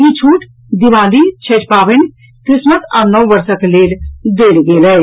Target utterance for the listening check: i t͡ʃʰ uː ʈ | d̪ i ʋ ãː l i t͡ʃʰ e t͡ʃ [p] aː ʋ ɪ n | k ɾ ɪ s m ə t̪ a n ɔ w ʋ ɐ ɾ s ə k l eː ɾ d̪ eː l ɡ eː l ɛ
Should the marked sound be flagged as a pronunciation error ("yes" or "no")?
no